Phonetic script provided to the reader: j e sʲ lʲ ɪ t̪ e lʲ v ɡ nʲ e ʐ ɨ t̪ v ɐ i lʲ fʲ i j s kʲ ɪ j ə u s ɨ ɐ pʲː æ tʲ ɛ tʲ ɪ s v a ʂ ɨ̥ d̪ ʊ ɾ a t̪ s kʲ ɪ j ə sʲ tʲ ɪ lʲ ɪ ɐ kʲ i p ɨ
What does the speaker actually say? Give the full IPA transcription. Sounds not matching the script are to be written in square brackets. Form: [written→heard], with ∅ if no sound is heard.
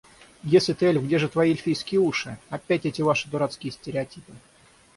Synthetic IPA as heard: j e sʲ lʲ ɪ t̪ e lʲ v ɡ [nʲ→dʲ] e ʐ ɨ t̪ v ɐ i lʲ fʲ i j s kʲ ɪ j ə u [s→ʂ] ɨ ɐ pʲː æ tʲ ɛ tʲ ɪ [s→∅] v a ʂ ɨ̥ d̪ ʊ ɾ a t̪ s kʲ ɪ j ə sʲ tʲ ɪ [lʲ→ɾʲ] ɪ ɐ [kʲ→tʲ] i p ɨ